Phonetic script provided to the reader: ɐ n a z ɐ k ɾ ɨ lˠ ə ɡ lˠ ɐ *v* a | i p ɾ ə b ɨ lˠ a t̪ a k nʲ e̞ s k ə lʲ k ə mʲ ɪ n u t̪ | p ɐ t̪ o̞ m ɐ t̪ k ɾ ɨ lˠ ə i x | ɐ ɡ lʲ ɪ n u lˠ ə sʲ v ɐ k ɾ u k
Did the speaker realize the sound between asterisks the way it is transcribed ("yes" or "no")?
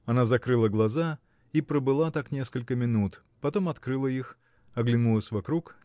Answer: no